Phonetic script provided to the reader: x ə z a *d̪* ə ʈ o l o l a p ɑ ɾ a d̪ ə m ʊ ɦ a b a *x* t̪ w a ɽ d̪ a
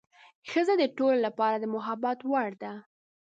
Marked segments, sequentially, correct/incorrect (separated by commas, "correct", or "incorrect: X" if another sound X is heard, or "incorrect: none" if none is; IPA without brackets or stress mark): correct, incorrect: none